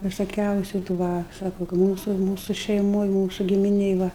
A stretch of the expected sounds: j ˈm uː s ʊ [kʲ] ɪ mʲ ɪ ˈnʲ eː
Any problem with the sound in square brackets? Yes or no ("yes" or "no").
yes